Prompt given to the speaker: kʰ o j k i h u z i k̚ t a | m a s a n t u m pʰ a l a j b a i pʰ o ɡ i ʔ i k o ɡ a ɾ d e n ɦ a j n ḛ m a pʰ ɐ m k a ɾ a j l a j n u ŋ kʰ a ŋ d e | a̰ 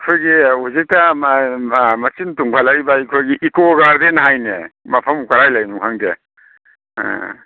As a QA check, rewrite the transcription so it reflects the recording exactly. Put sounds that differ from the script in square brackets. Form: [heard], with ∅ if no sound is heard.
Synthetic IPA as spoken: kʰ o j [ɡ] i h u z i k̚ t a | m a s [i] n t u [ŋ] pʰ a l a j b a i [kʰ] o ɡ i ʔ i k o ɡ a ɾ d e n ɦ a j n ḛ m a pʰ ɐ m k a ɾ a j l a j n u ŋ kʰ a ŋ d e | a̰